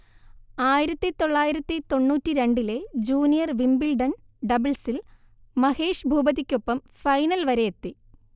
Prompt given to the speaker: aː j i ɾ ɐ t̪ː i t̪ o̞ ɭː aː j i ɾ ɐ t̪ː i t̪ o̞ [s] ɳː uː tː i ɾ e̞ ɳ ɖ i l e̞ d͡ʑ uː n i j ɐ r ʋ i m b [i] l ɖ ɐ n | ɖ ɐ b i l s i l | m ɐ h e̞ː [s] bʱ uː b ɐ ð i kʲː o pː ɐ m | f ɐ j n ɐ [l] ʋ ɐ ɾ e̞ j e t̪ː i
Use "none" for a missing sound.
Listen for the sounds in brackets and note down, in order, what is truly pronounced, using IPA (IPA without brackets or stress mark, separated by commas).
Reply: none, i, ʂ, l